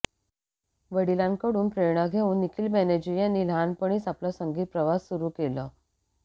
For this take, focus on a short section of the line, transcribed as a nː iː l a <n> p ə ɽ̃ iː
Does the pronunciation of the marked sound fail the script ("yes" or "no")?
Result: no